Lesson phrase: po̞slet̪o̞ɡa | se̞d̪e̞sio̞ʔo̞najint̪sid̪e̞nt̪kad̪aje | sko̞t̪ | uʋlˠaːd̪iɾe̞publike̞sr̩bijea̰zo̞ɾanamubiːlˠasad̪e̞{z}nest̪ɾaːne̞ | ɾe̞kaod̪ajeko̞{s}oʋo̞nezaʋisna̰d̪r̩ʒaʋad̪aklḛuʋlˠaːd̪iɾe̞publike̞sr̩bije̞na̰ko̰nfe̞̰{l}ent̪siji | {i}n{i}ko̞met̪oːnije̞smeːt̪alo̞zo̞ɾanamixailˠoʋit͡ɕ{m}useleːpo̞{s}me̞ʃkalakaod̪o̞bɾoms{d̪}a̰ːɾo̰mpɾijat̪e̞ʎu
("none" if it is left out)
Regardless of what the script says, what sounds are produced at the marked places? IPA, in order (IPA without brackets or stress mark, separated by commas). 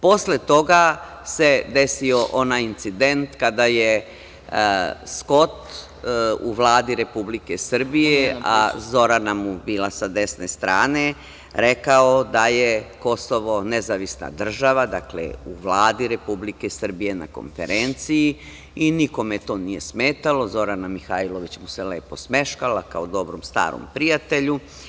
s, s, ɾ, i, i, m, s, t̪